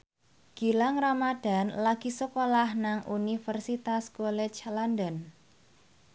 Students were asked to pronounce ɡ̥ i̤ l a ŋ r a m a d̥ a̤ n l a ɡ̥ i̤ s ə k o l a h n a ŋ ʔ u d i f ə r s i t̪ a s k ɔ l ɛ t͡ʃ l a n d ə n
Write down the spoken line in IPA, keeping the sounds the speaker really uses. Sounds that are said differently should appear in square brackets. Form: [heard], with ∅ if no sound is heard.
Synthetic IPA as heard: ɡ̥ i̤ l a ŋ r a m a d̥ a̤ n l a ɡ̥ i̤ s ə k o l a h n a ŋ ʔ u [n] i f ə r s i t̪ a s k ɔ l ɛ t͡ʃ l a n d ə n